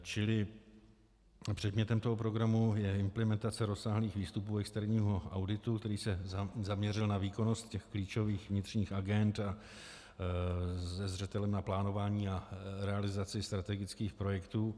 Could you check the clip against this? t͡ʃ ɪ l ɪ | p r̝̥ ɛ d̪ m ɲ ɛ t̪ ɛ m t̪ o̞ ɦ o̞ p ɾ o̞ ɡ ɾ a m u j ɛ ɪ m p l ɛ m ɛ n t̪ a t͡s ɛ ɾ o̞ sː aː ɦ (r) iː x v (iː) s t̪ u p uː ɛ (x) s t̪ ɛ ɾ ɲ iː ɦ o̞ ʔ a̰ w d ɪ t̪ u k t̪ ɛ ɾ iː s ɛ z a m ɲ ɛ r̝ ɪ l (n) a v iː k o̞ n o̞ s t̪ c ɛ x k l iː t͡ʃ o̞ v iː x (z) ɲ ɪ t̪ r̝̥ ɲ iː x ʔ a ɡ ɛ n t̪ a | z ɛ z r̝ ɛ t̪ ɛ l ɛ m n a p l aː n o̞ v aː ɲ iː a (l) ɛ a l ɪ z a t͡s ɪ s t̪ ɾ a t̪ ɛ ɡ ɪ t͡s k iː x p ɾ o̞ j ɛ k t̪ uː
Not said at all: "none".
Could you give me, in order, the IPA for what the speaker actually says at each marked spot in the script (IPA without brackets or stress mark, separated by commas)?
l, iː, k, n, v, ɾ